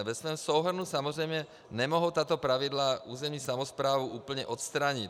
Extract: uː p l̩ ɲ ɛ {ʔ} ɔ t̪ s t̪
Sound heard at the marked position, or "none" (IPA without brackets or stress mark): ʔ